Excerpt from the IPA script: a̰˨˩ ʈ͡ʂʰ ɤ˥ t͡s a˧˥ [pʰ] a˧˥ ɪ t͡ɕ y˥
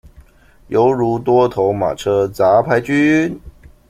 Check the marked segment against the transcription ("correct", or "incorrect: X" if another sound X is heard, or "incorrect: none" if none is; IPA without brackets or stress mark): correct